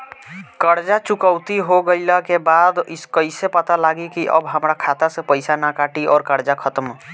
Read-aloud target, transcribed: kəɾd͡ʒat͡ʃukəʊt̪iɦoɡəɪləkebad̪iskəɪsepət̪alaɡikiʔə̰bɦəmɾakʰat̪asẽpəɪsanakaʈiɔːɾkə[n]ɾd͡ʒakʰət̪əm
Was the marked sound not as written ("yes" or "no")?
yes